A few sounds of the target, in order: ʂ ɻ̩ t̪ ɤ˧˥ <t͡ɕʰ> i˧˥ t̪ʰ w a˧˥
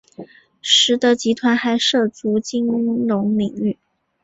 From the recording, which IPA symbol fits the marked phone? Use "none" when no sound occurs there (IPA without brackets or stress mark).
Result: t͡ɕ